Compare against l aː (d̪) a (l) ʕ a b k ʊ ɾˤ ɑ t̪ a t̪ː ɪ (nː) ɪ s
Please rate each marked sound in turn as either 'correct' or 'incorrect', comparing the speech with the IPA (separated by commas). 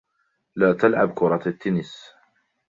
incorrect, correct, incorrect